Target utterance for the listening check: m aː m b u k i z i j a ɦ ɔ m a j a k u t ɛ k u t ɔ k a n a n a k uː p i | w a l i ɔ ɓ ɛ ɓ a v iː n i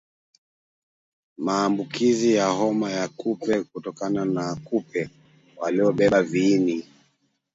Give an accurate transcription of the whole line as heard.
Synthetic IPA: m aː m b u k i z i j a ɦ ɔ m a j a k u p ɛ k u t ɔ k a n a n a k u p ɛ | w a l i ɔ ɓ ɛ ɓ a v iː n i